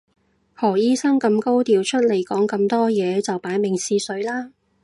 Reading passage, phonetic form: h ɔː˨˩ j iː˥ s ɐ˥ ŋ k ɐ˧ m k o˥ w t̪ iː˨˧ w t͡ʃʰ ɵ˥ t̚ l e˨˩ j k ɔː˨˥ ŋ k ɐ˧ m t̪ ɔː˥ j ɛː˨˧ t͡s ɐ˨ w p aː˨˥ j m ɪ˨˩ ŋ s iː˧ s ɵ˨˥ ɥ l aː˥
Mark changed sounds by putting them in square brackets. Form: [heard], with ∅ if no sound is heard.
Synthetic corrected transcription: h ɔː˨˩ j iː˥ s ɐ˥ ŋ k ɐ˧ m k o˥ w t̪ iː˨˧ w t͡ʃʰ ɵ˥ t̚ l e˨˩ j k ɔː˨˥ ŋ k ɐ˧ m t̪ ɔː˥ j ɛː˨˧ t͡s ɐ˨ w p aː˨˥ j m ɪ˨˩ ŋ s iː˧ s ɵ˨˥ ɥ l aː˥